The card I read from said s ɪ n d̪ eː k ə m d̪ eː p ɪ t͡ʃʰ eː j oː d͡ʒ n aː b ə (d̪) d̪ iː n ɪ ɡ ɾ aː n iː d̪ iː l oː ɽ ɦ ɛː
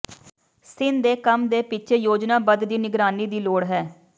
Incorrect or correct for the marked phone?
correct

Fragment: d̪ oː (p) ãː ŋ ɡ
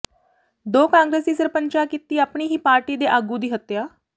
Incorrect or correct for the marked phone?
incorrect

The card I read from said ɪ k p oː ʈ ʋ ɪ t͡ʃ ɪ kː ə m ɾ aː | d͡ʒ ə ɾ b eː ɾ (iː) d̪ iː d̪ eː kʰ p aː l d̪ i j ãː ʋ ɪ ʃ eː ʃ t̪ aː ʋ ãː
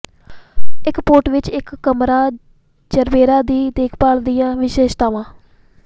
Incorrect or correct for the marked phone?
incorrect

